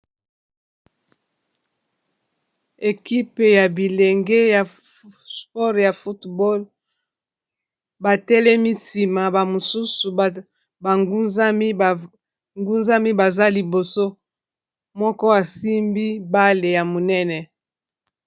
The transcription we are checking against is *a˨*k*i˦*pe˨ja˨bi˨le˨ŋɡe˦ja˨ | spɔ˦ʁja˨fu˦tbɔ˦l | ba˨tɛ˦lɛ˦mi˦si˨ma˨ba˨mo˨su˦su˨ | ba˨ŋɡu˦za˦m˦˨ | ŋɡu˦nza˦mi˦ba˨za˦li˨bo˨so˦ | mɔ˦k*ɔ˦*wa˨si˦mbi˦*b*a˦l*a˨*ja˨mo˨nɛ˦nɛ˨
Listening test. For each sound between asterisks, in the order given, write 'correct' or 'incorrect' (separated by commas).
incorrect, correct, correct, correct, incorrect